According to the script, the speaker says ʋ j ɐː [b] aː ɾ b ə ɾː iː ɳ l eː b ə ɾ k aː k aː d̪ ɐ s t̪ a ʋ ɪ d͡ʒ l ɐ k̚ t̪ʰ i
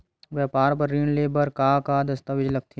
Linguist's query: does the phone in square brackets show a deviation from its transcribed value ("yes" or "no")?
yes